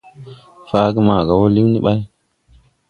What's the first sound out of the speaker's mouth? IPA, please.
f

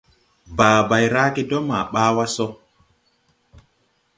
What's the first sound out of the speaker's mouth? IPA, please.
b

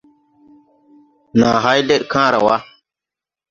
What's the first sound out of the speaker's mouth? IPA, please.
n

